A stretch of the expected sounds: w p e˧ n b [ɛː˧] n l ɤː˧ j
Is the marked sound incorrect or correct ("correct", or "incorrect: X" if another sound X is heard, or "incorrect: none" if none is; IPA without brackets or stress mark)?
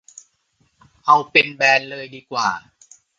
correct